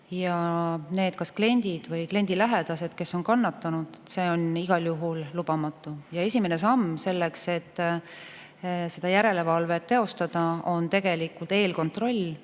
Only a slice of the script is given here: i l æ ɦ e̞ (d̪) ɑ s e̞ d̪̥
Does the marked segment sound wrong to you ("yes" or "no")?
no